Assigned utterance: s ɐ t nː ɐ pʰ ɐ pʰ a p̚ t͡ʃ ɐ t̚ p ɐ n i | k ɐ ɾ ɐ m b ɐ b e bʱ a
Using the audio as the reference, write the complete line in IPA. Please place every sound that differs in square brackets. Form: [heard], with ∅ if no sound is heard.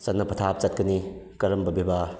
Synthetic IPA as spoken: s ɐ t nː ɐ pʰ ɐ [tʰ] a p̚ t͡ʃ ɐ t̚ [k] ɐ n i | k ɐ ɾ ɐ m b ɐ b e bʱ a

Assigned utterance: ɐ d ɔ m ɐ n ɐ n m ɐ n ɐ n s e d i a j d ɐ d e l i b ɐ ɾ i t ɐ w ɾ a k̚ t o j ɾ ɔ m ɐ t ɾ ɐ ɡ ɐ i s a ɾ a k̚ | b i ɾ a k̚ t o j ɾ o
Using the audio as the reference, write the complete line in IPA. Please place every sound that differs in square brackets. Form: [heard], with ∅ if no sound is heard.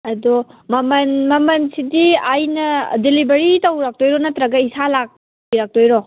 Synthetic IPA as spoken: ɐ d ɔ m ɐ [m] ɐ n m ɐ [m] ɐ n s [i] d i a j [n] ɐ d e l i b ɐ ɾ i t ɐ w ɾ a k̚ t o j ɾ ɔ [n] ɐ t ɾ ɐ ɡ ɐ i s a [l] a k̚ | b i ɾ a k̚ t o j ɾ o

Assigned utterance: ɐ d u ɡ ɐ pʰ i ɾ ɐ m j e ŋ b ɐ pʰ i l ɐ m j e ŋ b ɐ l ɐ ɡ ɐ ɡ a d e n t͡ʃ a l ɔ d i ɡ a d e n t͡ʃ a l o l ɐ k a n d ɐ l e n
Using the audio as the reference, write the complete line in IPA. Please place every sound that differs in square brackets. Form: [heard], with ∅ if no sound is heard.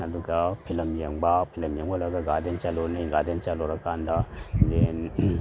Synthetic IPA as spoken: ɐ d u ɡ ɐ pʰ i [l] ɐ m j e ŋ b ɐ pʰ i l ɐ m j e ŋ b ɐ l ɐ ɡ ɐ ɡ a d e n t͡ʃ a l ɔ [n] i ɡ a d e n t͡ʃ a l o [ɾ] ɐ k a n d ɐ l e n

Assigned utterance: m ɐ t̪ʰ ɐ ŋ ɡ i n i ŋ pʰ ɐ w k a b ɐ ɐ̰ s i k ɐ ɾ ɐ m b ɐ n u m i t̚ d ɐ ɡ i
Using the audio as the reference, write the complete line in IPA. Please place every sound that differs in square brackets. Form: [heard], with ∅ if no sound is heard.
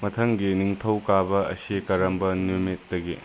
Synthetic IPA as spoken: m ɐ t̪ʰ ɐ ŋ ɡ i n i ŋ [tʰ] ɐ w k a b ɐ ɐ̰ s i k ɐ ɾ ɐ m b ɐ n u m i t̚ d ɐ ɡ i

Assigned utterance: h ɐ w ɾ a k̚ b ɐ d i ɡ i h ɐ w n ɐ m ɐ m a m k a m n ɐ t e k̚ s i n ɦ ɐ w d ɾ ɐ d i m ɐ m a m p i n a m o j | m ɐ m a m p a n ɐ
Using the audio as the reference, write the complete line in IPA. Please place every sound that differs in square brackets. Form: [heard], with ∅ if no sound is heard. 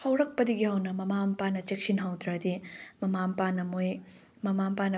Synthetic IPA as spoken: h ɐ w ɾ [ɐ] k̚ [p] ɐ d i ɡ i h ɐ w n ɐ m ɐ m a m [p] a [∅] n ɐ [t͡ʃ] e k̚ s i n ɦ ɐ w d ɾ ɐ d i m ɐ m a m p [a] n [ɐ] m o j | m ɐ m a m p a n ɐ

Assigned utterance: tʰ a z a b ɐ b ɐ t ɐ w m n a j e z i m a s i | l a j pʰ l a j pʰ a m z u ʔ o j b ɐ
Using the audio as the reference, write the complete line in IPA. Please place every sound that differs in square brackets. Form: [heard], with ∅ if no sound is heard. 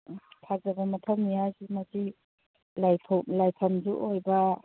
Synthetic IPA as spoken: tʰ a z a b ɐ [m] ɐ [tʰ] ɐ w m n [i] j [a] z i m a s i | l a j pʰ l a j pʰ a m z u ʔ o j b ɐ

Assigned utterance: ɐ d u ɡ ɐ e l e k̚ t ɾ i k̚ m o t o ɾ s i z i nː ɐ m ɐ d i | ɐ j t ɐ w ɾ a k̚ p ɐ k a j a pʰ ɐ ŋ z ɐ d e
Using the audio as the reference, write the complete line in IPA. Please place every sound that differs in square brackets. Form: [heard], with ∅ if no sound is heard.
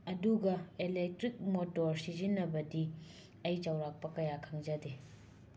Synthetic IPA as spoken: ɐ d u ɡ ɐ e l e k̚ t ɾ i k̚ m o t o ɾ s i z i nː ɐ [b] ɐ d i | ɐ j [t͡ʃ] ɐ w ɾ a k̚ p ɐ k [ɐ] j a [kʰ] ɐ ŋ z ɐ d e

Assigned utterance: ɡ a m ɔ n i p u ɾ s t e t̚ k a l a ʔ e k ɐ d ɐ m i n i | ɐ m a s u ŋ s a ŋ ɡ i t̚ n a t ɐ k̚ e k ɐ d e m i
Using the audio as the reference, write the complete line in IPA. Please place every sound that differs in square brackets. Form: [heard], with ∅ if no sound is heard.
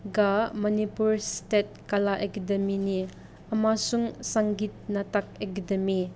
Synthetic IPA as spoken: ɡ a m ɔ n i p u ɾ s t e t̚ k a l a ʔ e k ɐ d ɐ m i n i | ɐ m a s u ŋ s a ŋ ɡ i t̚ n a t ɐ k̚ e k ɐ d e m i

